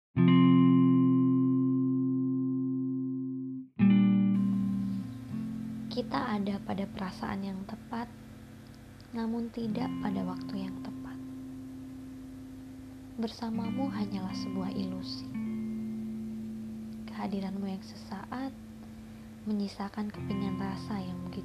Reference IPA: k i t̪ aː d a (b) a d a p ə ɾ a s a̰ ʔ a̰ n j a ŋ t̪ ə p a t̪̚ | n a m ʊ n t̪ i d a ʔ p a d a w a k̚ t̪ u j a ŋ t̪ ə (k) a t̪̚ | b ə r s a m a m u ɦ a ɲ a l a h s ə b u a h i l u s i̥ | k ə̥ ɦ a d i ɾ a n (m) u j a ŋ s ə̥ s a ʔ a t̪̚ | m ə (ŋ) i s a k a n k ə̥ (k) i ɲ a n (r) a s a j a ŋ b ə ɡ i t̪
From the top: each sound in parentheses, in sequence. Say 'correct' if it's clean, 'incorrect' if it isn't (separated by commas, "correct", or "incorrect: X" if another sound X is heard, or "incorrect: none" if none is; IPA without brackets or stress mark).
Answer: incorrect: p, incorrect: p, correct, incorrect: ɲ, incorrect: p, correct